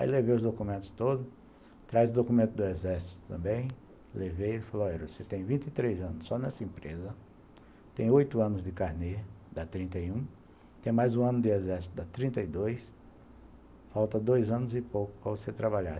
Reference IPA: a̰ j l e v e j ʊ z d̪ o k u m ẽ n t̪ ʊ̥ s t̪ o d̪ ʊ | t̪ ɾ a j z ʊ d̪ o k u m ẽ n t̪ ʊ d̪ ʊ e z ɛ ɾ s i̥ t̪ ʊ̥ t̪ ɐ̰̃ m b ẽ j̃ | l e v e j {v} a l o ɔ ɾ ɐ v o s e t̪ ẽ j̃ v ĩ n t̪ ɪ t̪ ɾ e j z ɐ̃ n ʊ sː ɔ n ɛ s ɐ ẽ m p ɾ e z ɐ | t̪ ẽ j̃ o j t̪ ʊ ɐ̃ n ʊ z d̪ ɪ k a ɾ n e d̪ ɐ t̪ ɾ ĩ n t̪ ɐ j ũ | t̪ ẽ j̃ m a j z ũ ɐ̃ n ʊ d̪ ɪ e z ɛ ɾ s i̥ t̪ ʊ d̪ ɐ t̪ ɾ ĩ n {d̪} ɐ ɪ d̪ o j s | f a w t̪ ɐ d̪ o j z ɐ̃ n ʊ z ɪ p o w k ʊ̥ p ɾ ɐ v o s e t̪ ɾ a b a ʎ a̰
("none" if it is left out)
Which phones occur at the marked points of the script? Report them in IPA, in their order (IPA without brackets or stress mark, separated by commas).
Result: f, t̪